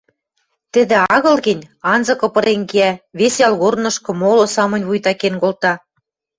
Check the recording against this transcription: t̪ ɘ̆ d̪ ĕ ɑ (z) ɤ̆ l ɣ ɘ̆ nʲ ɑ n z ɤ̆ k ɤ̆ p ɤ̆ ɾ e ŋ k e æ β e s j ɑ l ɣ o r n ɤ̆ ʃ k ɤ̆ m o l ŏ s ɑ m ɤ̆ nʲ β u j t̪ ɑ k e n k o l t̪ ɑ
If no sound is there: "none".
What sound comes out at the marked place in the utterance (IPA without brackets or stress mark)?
ɣ